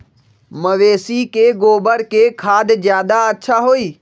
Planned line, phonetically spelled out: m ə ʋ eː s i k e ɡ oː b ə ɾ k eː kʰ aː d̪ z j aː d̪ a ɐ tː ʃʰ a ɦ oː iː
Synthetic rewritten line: m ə ʋ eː s i k e ɡ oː b ə ɾ k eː kʰ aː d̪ z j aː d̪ a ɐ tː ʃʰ a ɦ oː iː

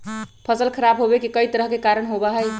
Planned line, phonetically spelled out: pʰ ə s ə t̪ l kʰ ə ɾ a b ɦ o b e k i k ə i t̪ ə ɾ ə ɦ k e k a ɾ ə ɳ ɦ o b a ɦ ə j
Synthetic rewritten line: pʰ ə s ə l kʰ ə ɾ a b ɦ o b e k i k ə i t̪ ə ɾ ə ɦ k e k a ɾ ə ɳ ɦ o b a ɦ ə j

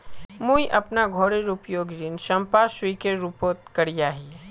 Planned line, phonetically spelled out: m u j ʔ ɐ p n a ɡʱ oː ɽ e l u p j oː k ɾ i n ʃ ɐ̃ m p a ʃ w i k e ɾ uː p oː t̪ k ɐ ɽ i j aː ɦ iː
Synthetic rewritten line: m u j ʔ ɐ p n a ɡʱ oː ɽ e ɾ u p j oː ɡ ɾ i n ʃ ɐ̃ m p a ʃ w i k e ɾ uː p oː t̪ k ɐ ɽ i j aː ɦ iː

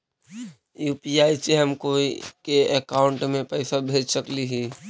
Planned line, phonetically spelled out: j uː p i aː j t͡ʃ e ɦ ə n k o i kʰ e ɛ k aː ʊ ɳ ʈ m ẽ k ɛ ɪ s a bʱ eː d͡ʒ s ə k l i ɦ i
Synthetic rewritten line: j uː p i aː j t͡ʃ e ɦ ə m k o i k e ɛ k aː ʊ ɳ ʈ m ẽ p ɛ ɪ s a bʱ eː d͡ʒ s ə k l i ɦ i

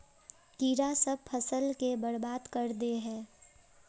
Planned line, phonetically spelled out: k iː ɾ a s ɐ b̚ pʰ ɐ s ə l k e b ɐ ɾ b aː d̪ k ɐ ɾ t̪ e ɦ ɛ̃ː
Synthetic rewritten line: k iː ɾ a s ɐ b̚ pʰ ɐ s ə l k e b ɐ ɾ b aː d̪ k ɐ ɾ d̪ e ɦ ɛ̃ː

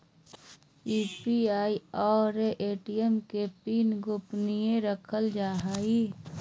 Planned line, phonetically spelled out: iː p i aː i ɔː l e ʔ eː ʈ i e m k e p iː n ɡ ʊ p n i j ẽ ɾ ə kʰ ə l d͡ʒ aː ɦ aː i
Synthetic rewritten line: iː p i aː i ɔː ɾ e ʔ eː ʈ i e m k e p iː n ɡ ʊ p n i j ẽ ɾ ə kʰ ə l d͡ʒ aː ɦ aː i

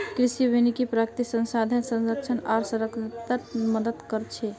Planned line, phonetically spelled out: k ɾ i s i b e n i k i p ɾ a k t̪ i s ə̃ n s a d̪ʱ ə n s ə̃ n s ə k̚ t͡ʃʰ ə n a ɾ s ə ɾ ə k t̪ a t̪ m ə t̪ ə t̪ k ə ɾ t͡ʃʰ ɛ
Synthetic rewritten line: k ɾ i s i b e n i k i p ɾ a k t̪ i s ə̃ n s a d̪ʱ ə n s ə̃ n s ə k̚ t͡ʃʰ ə n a ɾ s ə ɾ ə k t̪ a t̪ m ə d̪ ə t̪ k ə ɾ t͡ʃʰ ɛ

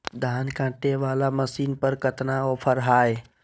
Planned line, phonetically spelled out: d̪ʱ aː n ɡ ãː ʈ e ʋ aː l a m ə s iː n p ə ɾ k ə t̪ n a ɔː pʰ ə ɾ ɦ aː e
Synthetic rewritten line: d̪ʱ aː n k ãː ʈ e ʋ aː l a m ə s iː n p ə ɾ k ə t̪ n a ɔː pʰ ə ɾ ɦ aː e

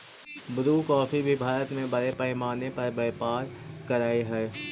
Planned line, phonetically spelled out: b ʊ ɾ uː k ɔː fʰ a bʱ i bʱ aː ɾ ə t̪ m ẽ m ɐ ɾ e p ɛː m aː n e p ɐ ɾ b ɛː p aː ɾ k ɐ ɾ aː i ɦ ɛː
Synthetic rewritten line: b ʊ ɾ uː k ɔː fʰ i bʱ i bʱ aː ɾ ə t̪ m ẽ b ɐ ɾ e p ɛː m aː n e p ɐ ɾ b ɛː p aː ɾ k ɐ ɾ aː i ɦ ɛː

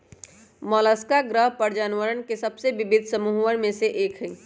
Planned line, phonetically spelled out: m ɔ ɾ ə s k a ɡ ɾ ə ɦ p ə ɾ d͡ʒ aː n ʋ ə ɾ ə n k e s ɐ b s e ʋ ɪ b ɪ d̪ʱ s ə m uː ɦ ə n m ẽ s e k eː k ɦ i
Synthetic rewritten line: m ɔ l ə s k a ɡ ɾ ə ɦ p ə ɾ d͡ʒ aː n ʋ ə ɾ ə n k e s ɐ b s e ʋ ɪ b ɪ d̪ʱ s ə m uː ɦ ə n m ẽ s e ʔ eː k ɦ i

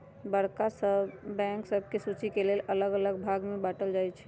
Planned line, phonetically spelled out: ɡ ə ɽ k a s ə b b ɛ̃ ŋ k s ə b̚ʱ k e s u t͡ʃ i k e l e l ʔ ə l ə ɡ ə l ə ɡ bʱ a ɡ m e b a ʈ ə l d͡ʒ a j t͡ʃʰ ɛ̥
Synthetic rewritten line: b ə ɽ k a s ə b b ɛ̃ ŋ k s ə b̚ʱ k e s u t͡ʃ i k e l e l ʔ ə l ə ɡ ə l ə ɡ bʱ a ɡ m e b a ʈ ə l d͡ʒ a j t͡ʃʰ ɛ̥

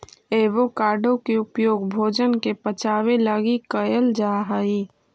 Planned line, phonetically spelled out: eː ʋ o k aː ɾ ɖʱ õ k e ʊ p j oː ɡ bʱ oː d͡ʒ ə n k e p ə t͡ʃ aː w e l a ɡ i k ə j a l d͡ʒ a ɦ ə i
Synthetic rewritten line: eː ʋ o k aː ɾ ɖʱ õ k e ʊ p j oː ɡ bʱ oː d͡ʒ ə n k e p ə t͡ʃ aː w e l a ɡ i k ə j ə l d͡ʒ a ɦ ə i

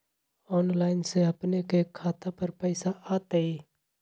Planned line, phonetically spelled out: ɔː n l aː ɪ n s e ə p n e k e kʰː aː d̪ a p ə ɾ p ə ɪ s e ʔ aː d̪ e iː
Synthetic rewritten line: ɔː n l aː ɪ n s e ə p n e k e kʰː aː t̪ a p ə ɾ p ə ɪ s a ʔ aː t̪ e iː

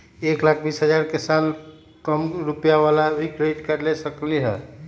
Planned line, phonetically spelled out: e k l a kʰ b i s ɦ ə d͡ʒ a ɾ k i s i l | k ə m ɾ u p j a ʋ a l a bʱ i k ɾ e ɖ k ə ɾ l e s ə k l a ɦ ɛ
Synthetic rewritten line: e k l a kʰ b i s ɦ ə d͡ʒ a ɾ k e s a l | k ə m ɾ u p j a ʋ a l a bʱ i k ɾ e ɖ k ə ɾ l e s ə k l i ɦ ɛ

